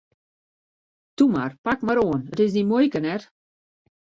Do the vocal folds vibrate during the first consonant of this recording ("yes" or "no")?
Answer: no